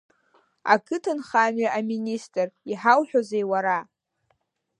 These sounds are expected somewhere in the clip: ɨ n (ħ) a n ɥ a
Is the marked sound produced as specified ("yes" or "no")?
no